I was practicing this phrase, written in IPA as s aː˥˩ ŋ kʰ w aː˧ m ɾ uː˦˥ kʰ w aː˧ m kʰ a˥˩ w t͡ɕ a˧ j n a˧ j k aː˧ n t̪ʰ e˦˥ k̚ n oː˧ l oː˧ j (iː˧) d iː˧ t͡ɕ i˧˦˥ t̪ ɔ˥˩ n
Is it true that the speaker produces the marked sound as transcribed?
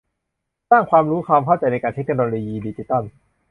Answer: yes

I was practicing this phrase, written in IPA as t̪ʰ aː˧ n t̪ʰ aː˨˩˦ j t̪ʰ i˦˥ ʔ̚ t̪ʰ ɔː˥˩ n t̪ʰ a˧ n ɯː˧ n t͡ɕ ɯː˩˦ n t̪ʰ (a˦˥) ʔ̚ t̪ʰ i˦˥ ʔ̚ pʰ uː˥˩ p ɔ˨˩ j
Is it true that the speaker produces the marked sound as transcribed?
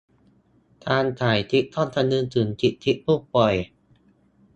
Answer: no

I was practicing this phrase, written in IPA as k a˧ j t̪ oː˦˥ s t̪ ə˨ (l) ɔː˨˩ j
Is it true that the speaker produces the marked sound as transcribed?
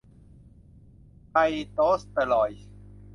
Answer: yes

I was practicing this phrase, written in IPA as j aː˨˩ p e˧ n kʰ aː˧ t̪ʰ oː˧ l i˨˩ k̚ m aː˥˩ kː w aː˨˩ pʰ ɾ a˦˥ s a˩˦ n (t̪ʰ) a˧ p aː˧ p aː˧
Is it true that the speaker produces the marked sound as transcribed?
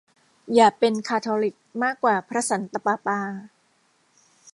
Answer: no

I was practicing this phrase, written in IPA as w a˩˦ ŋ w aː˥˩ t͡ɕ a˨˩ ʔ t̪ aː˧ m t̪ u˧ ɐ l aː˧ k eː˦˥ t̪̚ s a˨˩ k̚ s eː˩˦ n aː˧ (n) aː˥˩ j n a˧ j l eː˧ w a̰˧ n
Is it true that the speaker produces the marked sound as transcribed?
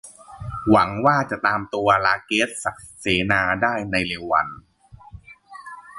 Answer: no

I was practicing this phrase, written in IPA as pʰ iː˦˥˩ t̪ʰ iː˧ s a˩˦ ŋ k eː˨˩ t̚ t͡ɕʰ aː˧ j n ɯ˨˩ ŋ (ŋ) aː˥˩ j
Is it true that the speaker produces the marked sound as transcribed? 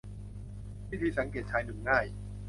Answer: yes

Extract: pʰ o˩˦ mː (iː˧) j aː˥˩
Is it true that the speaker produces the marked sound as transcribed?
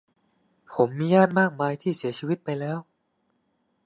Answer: yes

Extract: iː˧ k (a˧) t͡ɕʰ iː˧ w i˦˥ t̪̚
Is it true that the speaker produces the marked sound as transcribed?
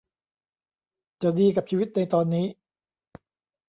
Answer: no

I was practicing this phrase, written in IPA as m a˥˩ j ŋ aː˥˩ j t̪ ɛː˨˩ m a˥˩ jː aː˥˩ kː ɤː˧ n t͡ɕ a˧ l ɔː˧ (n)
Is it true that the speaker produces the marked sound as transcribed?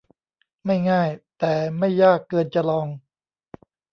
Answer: no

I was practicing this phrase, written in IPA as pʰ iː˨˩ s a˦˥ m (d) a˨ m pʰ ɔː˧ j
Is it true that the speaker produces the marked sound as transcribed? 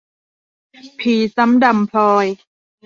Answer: yes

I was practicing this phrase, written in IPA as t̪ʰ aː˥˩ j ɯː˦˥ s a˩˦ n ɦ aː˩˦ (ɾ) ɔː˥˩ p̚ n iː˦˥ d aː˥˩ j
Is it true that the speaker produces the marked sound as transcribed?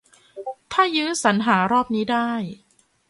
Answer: yes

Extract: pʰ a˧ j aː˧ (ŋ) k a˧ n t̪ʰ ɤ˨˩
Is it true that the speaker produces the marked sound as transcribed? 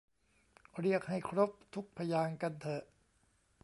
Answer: yes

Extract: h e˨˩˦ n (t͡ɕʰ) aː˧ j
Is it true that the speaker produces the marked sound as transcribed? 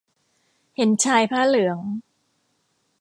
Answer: yes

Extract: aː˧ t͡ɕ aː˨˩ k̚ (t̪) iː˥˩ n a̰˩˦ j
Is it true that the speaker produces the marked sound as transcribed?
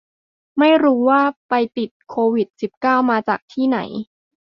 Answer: no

